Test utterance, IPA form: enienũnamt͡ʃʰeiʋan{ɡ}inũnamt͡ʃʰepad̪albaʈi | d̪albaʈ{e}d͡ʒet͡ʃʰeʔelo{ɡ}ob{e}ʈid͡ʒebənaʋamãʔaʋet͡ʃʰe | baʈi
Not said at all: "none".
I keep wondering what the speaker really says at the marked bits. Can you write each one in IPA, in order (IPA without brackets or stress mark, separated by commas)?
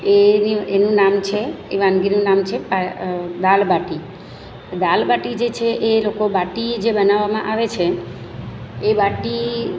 ɡ, i, k, a